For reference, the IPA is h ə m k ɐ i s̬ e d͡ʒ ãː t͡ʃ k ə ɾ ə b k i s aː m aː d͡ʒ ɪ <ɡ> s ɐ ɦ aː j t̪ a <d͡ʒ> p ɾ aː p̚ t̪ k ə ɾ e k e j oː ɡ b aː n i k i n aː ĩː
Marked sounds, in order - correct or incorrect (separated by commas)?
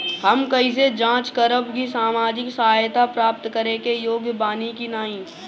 incorrect, incorrect